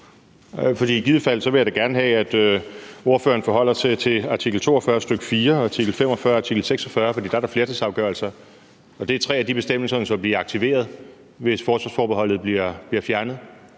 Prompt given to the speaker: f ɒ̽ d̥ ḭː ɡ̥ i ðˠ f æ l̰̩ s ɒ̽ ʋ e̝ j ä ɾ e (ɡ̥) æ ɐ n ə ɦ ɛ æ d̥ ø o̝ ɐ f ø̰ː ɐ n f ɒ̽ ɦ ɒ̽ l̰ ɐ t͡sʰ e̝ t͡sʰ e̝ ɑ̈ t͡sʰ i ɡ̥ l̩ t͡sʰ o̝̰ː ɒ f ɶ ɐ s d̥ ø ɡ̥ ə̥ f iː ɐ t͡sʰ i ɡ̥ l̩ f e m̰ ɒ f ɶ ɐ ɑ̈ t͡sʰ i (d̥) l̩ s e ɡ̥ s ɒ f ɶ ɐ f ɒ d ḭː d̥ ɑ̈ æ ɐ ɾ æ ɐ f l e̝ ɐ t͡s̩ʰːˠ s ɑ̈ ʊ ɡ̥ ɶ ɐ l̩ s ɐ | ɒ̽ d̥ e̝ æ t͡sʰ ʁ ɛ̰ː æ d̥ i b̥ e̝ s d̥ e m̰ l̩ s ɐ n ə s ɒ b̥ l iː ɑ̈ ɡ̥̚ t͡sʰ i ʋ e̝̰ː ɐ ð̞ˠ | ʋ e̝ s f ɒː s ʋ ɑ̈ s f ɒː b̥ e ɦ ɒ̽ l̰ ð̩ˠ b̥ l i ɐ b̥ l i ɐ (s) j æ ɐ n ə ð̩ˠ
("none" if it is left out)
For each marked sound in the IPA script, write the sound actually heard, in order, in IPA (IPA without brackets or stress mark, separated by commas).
ɡ̥, ɡ̥, f